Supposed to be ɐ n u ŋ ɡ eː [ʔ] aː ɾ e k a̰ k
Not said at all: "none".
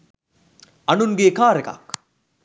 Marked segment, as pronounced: k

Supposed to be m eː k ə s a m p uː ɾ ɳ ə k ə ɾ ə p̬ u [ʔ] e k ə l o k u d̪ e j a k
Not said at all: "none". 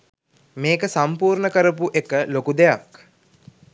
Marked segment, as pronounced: ʔ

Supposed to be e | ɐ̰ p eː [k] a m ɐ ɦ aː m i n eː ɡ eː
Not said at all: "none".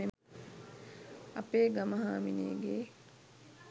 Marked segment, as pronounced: ɡ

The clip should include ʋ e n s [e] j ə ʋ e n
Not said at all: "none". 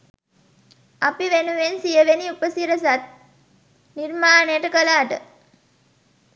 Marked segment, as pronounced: i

